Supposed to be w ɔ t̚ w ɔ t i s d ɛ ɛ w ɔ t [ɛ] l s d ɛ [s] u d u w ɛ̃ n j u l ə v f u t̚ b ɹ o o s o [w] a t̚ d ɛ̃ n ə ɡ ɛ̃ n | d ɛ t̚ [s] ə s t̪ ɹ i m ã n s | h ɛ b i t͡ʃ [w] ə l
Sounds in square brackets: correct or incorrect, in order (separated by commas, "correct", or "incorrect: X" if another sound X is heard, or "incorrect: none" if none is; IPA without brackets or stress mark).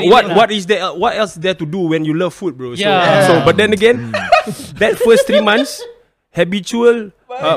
correct, incorrect: t, incorrect: b, incorrect: f, incorrect: u